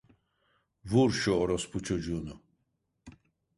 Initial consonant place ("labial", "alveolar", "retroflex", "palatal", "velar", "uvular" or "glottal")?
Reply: labial